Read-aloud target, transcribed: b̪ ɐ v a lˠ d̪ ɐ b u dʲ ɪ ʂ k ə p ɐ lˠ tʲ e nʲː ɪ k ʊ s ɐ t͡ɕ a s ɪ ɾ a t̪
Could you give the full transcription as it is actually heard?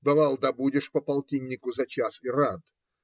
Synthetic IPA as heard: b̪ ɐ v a lˠ d̪ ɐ b u dʲ ɪ ʂ p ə p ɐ lˠ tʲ i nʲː ɪ k ʊ z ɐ t͡ɕ a s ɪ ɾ a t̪